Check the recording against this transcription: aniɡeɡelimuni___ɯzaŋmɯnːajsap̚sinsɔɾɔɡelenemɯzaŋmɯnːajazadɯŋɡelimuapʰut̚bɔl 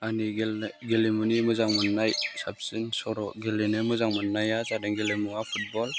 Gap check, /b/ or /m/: m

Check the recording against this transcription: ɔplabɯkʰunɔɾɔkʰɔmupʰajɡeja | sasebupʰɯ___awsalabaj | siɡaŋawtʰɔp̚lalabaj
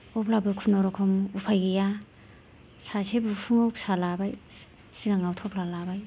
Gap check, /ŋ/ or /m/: ŋ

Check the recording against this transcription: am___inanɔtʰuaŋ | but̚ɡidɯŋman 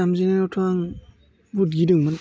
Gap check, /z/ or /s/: z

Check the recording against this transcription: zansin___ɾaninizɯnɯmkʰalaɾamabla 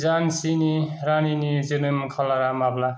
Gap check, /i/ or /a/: i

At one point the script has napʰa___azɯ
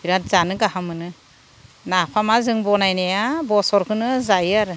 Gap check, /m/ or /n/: m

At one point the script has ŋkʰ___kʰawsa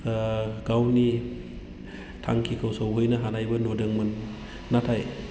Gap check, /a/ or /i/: i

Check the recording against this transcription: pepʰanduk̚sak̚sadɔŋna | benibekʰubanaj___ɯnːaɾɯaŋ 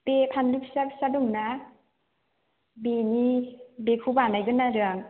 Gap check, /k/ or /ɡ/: ɡ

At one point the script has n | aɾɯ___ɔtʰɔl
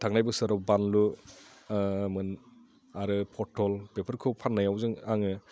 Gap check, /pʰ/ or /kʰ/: pʰ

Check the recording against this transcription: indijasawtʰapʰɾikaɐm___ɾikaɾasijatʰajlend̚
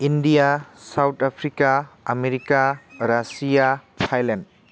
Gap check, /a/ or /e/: e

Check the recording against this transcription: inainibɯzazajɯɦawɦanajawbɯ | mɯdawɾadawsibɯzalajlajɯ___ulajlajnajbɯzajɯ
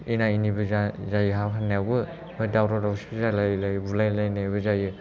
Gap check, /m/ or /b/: b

